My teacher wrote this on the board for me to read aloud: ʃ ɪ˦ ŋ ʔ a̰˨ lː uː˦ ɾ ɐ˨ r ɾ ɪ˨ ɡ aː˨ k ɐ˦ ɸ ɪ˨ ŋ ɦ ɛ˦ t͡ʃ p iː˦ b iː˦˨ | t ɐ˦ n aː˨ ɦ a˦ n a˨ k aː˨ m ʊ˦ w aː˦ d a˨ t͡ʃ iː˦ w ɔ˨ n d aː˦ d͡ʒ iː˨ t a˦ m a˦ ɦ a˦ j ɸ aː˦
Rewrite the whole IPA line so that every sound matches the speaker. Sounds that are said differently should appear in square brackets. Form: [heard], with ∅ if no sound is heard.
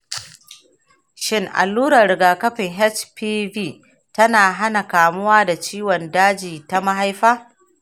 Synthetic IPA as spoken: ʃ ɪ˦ ŋ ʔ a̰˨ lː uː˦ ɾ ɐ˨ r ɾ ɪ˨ ɡ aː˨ k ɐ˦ ɸ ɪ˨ ŋ ɦ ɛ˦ t͡ʃ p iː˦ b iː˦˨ | t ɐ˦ n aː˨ ɦ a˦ n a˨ k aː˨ m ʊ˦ w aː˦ d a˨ t͡ʃ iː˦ w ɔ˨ n d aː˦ d͡ʒ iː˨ t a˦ m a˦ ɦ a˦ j ɸ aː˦